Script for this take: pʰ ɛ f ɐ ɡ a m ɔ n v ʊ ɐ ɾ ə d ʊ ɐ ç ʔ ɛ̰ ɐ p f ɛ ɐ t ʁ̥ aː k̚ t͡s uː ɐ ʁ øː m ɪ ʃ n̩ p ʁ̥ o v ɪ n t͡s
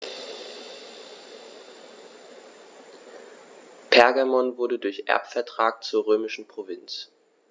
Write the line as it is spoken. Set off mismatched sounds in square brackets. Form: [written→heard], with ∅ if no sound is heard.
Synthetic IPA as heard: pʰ ɛ [f→∅] ɐ ɡ a m ɔ n v ʊ ɐ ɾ ə d ʊ ɐ ç ʔ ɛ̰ ɐ p f ɛ ɐ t ʁ̥ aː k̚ t͡s uː ɐ ʁ øː m ɪ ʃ n̩ p ʁ̥ o v ɪ n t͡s